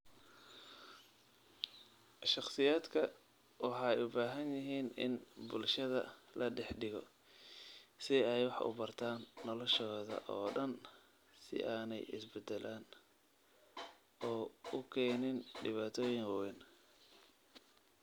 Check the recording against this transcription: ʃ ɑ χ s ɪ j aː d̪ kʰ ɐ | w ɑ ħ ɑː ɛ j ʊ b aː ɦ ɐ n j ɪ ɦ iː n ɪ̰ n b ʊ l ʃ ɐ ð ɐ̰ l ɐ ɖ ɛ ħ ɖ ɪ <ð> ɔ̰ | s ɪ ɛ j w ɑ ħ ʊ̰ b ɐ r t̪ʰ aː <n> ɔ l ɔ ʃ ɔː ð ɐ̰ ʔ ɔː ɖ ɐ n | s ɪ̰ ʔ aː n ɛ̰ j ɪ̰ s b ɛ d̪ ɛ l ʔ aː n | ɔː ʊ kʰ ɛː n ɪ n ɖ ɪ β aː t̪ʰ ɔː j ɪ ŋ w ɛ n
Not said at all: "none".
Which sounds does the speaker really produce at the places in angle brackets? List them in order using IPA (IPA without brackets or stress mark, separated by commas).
ɣ, nː